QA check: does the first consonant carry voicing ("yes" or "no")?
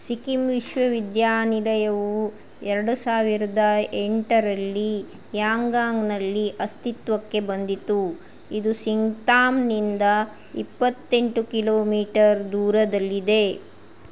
no